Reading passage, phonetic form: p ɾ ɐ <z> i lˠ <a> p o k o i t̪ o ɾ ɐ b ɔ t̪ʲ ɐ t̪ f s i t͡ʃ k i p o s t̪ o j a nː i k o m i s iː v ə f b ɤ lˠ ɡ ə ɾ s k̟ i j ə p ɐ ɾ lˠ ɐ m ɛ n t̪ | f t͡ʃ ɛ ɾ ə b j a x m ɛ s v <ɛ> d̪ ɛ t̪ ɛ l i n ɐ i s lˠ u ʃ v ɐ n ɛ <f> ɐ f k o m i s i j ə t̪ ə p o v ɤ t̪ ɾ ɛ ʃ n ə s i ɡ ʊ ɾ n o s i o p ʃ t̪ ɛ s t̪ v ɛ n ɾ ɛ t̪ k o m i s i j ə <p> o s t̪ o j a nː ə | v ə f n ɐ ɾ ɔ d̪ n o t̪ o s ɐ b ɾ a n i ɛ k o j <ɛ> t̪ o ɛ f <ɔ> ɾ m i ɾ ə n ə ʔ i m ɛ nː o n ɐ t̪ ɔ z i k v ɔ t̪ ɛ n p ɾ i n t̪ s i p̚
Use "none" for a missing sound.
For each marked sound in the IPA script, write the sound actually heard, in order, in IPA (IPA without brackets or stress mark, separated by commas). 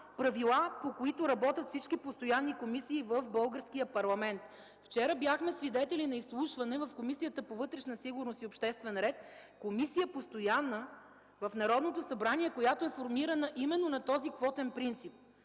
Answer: v, a, i, v, p, a, o